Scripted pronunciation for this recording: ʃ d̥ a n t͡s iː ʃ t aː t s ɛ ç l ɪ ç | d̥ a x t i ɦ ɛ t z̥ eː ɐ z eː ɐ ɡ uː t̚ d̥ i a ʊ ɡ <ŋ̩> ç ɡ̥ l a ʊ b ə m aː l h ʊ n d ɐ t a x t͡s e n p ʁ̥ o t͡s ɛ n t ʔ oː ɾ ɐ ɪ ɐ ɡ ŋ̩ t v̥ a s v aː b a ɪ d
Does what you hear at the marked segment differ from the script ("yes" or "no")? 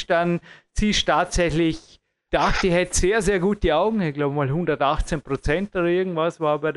no